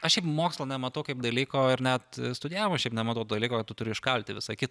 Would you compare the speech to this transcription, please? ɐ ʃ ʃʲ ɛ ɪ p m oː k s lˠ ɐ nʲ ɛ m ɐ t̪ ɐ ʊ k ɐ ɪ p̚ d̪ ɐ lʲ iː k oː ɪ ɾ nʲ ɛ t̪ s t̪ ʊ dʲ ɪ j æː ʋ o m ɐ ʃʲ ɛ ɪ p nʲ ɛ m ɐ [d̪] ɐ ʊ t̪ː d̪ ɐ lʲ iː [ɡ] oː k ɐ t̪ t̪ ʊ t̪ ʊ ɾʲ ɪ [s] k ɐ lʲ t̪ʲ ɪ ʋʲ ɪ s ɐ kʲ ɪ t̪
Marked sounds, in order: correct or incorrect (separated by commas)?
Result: incorrect, incorrect, incorrect